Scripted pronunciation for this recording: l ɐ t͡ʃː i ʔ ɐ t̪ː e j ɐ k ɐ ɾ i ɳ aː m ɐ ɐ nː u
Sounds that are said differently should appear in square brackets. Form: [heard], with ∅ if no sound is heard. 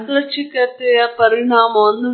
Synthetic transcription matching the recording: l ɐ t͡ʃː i [k] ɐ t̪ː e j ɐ [p] ɐ ɾ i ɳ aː m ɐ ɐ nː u